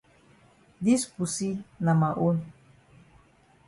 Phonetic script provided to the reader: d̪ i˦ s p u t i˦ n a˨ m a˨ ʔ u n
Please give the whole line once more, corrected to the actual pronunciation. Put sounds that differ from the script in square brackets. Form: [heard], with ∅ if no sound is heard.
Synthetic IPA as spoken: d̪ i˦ s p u [s] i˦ n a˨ m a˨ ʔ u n